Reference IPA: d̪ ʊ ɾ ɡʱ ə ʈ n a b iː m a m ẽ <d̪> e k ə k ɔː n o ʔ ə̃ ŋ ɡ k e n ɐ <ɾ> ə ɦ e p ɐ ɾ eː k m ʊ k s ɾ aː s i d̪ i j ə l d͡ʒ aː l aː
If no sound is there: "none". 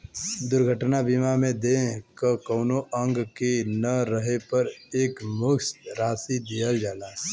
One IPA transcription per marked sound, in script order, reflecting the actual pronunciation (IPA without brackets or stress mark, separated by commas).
d̪, ɾ